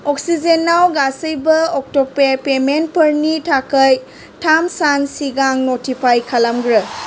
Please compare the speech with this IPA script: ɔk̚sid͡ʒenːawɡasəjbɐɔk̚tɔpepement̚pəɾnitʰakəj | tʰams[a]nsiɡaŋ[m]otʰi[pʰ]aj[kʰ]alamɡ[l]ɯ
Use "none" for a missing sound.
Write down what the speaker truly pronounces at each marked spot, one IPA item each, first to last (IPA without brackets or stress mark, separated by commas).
a, n, pʰ, kʰ, ɾ